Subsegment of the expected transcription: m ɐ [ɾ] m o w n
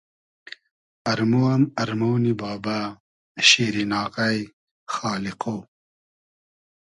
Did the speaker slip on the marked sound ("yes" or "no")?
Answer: no